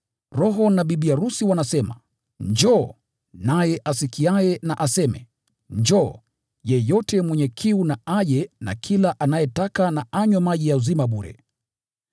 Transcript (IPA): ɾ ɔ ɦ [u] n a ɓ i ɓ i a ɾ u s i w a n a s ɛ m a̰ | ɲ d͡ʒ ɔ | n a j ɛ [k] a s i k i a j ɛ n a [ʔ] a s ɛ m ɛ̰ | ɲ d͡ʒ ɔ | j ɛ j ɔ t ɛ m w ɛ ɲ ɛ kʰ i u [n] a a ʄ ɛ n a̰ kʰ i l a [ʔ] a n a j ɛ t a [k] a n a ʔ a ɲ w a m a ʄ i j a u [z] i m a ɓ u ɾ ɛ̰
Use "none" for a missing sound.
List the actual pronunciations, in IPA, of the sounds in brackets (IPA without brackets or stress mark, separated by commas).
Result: ɔ, ʔ, ʔ, n, ʔ, k, z